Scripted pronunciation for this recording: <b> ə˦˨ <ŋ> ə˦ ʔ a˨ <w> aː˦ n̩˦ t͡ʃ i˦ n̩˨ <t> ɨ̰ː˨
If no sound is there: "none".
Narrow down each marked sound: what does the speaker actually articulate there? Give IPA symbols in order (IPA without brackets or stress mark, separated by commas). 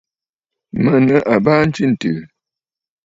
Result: m, n, b, t